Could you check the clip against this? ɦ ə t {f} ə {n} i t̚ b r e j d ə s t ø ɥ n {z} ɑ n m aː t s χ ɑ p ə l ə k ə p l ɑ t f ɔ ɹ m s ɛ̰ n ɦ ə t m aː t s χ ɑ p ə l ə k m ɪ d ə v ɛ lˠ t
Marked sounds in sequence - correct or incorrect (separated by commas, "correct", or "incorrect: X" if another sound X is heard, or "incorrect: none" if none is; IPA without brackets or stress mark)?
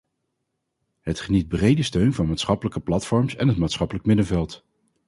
incorrect: χ, correct, incorrect: v